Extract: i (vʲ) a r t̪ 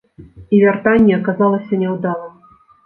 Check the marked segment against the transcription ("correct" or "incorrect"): correct